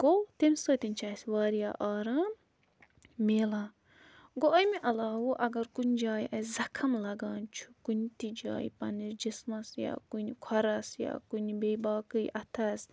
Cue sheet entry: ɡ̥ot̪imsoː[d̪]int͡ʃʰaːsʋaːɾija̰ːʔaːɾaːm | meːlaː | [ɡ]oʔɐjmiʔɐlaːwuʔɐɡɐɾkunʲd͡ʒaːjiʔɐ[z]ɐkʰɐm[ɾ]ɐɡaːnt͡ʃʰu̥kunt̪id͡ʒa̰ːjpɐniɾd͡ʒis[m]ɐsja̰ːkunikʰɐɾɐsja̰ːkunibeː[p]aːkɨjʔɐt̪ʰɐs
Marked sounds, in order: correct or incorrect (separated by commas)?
incorrect, correct, correct, incorrect, correct, incorrect